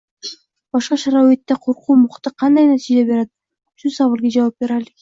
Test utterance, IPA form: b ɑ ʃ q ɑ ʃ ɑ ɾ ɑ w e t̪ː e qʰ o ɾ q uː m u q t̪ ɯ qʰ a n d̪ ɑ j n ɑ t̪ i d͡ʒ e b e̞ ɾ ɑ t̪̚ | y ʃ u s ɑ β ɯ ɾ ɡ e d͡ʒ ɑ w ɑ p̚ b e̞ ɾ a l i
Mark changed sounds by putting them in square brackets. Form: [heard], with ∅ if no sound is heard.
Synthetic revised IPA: b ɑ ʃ q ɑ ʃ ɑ ɾ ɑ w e t̪ː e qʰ o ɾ q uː m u q t̪ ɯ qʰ [ɑ] n d̪ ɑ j n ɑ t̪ i d͡ʒ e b e̞ ɾ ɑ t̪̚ | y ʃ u s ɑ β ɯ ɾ ɡ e d͡ʒ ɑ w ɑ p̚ b e̞ ɾ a l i

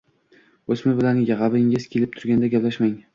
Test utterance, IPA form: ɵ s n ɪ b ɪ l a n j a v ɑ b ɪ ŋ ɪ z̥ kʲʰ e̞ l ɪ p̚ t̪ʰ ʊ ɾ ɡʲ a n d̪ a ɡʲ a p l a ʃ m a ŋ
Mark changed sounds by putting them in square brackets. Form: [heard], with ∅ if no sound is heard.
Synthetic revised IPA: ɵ s [m] ɪ b ɪ l a n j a [ʁ] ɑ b ɪ ŋ ɪ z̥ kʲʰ e̞ l ɪ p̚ t̪ʰ ʊ ɾ ɡʲ a n d̪ a ɡʲ a p l a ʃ m a ŋ

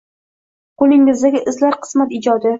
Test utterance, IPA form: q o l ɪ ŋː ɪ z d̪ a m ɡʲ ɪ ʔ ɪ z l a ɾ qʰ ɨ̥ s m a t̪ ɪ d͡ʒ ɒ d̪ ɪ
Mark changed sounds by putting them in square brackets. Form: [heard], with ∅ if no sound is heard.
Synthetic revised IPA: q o l ɪ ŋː ɪ z d̪ a [∅] ɡʲ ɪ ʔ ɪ z l a ɾ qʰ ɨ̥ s m a t̪ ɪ d͡ʒ ɒ d̪ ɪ

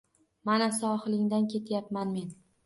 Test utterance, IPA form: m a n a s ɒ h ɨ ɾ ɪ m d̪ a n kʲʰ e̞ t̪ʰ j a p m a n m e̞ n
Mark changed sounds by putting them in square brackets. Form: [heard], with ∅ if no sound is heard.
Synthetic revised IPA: m a n a s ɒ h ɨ [l] ɪ [ŋ] d̪ a n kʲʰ e̞ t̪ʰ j a p m a n m e̞ n

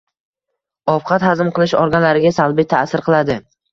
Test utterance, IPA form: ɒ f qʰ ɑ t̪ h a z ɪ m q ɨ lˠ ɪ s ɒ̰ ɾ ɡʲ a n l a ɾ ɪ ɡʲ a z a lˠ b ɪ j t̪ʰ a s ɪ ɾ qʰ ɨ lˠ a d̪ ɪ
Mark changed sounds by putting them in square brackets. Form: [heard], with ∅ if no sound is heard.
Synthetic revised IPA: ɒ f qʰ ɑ t̪ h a z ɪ m q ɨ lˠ ɪ [ʃ] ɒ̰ ɾ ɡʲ a n l a ɾ ɪ ɡʲ a [s] a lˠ b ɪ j t̪ʰ a s ɪ ɾ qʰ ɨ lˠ a d̪ ɪ

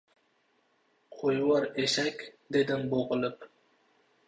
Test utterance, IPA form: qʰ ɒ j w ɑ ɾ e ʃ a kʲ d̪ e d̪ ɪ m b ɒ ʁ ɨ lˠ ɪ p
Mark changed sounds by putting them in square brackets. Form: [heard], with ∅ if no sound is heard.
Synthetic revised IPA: qʰ [o] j w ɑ ɾ e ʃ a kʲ d̪ e d̪ ɪ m b [o] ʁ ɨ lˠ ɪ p

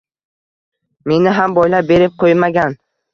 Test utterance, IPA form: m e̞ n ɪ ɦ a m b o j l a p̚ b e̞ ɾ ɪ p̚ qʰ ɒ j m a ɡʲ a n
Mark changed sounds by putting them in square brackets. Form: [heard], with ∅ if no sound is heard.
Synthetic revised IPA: m e̞ n ɪ ɦ a m b [ɒ] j l a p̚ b e̞ ɾ ɪ p̚ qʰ [o] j m a ɡʲ a n

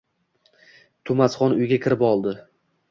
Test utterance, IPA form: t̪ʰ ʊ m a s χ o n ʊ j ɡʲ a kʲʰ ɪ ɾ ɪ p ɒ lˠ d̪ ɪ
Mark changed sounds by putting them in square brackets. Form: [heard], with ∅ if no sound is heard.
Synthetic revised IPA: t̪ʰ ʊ m a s χ [ɒ] n ʊ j ɡʲ a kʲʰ ɪ ɾ ɪ p ɒ lˠ d̪ ɪ

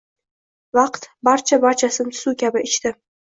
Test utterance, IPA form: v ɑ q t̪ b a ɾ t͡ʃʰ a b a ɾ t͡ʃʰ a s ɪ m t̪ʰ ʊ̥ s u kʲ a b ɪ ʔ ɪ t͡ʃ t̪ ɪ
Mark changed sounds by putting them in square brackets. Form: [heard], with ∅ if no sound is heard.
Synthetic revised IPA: v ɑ q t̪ b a ɾ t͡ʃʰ a b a ɾ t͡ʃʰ a s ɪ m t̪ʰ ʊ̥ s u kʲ a b ɪ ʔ ɪ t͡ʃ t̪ ɪ

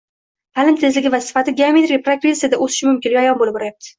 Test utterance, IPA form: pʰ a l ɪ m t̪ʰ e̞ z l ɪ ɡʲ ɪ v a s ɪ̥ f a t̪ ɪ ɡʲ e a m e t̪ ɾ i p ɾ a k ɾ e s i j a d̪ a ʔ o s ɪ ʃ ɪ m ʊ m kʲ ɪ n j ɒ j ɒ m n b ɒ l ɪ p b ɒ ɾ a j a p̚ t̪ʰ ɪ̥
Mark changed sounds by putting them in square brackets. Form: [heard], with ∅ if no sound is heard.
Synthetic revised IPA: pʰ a l ɪ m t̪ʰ e̞ z l ɪ ɡʲ ɪ v a s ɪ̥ f a t̪ ɪ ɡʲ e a m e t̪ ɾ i p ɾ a k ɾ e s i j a d̪ a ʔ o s ɪ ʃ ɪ m ʊ m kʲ ɪ n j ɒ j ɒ [∅] n b [o] l ɪ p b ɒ ɾ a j a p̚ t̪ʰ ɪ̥

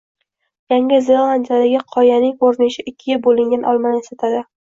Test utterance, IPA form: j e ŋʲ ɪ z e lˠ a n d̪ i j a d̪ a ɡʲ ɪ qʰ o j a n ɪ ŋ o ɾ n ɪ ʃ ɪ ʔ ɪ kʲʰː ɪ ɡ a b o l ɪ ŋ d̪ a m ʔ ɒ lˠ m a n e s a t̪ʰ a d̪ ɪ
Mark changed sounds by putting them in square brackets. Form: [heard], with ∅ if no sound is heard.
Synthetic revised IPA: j [a] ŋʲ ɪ z e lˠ a n d̪ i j a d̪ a ɡʲ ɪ qʰ [ɒ] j a n ɪ ŋ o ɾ n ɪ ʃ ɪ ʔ ɪ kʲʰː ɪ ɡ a b o l ɪ ŋ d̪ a [n] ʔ ɒ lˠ m a n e s a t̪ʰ a d̪ ɪ

